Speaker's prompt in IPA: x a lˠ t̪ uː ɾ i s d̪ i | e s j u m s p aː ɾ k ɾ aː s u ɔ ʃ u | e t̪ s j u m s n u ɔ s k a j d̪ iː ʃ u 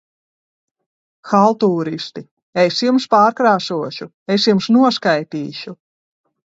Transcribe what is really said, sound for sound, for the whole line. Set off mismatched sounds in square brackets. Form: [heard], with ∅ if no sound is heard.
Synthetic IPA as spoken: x a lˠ t̪ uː ɾ i s [t̪] i | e s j u m s p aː ɾ k ɾ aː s u ɔ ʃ u | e [∅] s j u m s n u ɔ s k a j [t̪] iː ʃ u